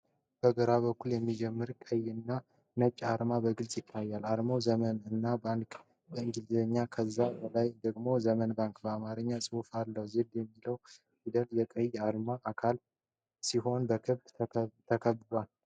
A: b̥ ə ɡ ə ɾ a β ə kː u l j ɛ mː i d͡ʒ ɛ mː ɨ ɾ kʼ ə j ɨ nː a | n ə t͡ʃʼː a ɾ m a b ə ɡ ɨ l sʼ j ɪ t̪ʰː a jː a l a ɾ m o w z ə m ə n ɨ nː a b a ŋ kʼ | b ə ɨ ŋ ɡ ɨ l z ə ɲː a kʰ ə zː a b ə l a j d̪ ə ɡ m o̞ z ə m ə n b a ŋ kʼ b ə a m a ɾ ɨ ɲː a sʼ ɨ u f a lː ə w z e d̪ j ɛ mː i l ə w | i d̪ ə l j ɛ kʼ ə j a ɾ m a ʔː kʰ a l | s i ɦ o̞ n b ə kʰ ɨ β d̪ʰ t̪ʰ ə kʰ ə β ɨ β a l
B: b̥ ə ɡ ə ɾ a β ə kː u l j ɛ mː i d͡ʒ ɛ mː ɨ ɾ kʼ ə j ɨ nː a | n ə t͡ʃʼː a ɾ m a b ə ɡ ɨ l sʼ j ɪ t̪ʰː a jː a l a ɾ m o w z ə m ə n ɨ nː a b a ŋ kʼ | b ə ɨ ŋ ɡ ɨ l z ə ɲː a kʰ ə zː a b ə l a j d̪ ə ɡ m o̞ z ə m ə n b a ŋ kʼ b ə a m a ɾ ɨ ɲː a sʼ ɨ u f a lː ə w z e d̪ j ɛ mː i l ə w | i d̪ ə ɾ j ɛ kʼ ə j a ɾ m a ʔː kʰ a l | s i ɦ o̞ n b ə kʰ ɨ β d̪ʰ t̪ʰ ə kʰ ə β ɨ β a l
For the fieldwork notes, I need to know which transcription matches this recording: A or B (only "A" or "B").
A